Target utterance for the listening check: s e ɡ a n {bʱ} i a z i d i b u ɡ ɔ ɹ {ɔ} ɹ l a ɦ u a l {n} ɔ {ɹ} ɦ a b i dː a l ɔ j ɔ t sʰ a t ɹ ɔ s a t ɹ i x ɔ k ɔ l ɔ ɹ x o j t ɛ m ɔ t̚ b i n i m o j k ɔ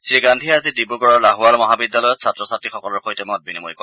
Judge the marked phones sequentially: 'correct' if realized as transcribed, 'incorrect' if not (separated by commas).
incorrect, correct, incorrect, incorrect